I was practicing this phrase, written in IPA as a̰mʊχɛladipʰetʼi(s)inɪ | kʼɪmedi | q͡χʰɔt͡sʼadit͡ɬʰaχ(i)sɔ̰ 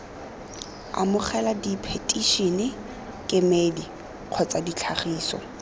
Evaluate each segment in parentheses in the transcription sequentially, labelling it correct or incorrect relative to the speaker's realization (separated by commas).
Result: incorrect, incorrect